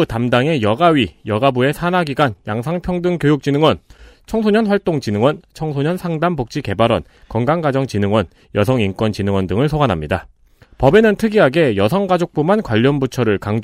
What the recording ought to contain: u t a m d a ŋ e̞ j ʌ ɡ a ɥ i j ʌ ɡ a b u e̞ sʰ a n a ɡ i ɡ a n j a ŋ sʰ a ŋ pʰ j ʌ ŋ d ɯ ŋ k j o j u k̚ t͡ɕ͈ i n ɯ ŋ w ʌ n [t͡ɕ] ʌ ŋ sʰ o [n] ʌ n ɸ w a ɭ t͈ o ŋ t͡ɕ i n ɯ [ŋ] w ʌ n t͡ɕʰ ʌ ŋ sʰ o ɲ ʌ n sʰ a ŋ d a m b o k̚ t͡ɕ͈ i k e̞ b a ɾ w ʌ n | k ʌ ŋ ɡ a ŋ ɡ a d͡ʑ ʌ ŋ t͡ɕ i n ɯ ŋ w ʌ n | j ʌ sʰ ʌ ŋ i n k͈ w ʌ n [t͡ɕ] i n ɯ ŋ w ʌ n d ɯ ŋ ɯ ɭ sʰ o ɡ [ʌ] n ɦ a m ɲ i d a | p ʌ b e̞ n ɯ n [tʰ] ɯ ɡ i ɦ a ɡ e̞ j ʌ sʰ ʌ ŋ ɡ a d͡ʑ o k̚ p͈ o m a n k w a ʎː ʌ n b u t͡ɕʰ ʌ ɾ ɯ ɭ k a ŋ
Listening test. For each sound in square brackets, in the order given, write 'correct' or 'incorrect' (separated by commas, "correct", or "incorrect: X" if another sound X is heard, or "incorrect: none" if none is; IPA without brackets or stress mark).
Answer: incorrect: t͡ɕʰ, incorrect: ɲ, correct, correct, incorrect: a, correct